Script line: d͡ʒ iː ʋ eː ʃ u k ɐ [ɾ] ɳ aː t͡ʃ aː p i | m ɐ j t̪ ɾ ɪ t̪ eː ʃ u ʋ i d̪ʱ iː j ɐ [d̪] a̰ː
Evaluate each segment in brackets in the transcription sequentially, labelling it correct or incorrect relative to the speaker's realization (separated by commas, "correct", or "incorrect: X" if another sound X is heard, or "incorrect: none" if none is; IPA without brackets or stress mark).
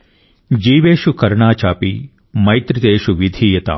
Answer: correct, incorrect: t̪